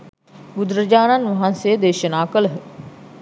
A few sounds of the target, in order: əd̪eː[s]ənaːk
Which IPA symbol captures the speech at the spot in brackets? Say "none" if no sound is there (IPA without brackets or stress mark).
ʃ